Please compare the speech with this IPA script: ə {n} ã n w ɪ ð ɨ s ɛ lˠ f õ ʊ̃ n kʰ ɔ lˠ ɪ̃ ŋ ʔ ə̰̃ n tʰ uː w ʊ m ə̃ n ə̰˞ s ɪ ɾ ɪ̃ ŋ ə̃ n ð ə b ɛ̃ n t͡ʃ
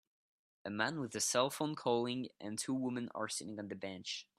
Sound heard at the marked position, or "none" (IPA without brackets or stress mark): m